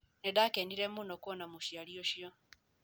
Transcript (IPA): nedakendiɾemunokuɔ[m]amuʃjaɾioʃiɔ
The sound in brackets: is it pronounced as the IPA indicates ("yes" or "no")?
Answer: no